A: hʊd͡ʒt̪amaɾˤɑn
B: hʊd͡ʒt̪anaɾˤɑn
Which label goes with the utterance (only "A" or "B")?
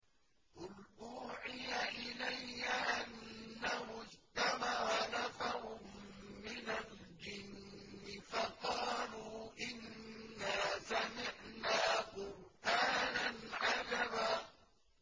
A